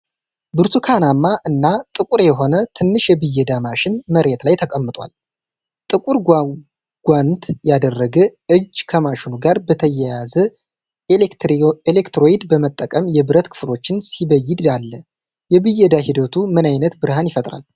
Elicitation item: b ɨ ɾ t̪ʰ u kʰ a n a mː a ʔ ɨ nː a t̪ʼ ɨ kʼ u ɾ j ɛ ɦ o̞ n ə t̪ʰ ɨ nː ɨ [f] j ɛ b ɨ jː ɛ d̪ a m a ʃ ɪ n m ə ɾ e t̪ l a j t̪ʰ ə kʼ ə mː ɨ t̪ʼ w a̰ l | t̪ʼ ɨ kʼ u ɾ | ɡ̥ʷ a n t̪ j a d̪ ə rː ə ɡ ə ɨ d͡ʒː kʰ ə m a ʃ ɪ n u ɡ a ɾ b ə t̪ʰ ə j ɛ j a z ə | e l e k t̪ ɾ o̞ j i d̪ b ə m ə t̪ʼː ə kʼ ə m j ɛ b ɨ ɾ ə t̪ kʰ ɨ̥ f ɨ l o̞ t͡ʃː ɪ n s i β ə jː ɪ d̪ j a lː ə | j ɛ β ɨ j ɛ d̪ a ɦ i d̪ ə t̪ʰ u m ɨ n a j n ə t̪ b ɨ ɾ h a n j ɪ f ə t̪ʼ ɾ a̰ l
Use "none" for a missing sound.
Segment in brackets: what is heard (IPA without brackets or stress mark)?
ʃ